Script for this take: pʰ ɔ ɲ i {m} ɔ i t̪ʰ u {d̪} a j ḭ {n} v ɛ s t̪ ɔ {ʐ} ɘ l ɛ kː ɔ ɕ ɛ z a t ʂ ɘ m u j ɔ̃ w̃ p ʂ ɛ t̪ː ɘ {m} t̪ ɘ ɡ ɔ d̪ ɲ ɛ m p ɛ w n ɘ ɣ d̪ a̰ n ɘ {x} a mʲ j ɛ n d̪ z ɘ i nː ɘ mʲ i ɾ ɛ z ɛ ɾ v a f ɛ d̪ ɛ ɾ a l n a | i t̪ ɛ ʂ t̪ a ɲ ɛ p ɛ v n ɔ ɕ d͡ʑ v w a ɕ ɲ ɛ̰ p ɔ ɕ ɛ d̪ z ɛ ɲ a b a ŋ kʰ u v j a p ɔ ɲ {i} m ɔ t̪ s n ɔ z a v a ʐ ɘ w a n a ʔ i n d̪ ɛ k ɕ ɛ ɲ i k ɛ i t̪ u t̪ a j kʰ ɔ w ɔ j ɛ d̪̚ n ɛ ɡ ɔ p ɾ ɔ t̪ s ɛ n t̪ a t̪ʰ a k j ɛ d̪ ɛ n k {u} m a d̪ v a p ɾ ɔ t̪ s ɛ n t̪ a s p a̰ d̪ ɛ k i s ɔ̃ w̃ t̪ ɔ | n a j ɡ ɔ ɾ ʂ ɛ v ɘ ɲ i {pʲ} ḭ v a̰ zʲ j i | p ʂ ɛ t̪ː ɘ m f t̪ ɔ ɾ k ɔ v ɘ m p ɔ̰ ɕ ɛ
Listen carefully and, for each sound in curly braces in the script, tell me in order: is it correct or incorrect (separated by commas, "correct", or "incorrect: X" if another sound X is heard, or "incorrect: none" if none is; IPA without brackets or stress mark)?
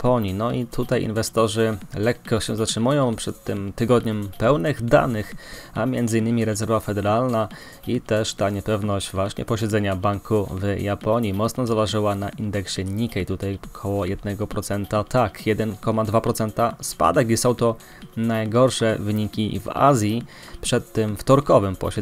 incorrect: n, incorrect: t̪, correct, correct, correct, correct, correct, incorrect: ɔ, incorrect: kʲ